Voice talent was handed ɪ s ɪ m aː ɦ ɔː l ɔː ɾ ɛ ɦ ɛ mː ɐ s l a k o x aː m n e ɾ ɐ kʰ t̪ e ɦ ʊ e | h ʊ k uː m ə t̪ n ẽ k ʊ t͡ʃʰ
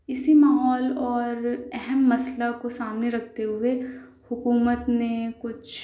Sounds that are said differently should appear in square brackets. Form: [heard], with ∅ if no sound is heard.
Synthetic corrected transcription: ɪ s [i] m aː ɦ ɔː l ɔː ɾ ɛ ɦ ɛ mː ɐ s l a k o [s] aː m n e ɾ ɐ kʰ t̪ e ɦ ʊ e | h ʊ k uː m ə t̪ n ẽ k ʊ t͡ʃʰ